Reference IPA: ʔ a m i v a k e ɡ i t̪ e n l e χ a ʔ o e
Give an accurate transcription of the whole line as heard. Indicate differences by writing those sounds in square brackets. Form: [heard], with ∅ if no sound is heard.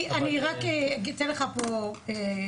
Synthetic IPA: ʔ a [n] i [ʁ] a k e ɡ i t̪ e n l e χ a [p] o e